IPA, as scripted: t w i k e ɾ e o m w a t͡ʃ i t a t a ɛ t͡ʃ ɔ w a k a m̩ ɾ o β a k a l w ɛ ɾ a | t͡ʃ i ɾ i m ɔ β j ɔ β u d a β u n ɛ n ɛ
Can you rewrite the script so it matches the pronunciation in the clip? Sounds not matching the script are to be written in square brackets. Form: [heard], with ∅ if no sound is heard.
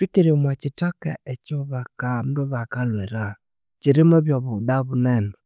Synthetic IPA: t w i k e ɾ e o m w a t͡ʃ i t a [k] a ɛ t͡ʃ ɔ [β] a k a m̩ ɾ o β a k a l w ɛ ɾ a | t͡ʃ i ɾ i m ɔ β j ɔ β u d a β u n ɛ n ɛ